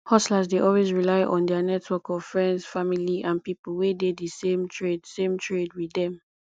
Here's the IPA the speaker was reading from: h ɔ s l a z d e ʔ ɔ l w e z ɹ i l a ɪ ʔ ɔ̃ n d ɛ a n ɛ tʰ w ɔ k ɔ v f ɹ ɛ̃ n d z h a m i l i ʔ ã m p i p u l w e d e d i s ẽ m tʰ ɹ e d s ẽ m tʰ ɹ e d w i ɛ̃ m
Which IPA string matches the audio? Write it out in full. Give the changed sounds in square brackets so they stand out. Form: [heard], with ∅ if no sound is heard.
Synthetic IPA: h ɔ s l a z d e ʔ ɔ l w e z ɹ i l a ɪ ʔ ɔ̃ n d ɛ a n ɛ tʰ w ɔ k ɔ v f ɹ ɛ̃ n d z [f] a m i l i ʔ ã [n] p i p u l w e d e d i s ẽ m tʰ ɹ e d s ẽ m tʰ ɹ e d w i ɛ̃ m